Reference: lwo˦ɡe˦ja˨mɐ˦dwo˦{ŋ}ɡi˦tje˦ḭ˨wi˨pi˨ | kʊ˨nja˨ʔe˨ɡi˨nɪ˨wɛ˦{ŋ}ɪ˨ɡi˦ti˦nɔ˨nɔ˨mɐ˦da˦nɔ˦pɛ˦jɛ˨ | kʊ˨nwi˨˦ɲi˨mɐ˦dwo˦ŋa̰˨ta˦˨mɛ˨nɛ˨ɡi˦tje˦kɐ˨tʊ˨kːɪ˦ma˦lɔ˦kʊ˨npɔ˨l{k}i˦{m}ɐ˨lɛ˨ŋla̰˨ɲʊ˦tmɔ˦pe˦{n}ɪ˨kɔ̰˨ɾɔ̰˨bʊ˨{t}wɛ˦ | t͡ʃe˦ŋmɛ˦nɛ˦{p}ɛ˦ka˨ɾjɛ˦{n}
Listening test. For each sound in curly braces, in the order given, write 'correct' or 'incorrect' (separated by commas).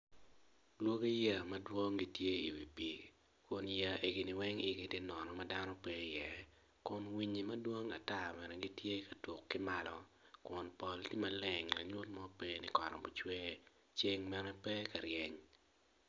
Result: correct, correct, incorrect, correct, correct, incorrect, correct, incorrect